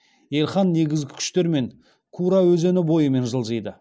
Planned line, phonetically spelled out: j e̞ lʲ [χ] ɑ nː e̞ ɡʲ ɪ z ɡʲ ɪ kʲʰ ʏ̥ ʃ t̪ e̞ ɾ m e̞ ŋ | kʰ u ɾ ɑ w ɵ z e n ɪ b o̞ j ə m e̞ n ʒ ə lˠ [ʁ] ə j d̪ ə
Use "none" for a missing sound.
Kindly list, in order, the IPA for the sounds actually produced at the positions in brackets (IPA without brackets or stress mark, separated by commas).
χ, ʒ